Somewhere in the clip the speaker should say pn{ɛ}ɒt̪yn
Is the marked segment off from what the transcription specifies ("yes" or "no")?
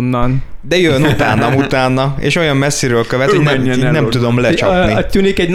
yes